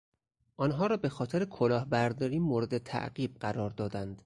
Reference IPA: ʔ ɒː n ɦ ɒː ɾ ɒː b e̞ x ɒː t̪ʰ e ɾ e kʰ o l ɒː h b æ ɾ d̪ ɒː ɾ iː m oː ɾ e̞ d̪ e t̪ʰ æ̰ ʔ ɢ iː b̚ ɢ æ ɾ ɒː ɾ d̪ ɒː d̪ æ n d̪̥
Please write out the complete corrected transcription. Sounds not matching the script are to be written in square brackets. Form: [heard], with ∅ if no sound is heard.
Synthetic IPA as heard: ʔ ɒː n ɦ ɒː ɾ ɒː b e̞ x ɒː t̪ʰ e ɾ e kʰ o l ɒː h b æ ɾ d̪ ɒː ɾ iː m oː ɾ e̞ d̪ e t̪ʰ æ̰ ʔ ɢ iː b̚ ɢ æ ɾ ɒː ɾ d̪ ɒː d̪ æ n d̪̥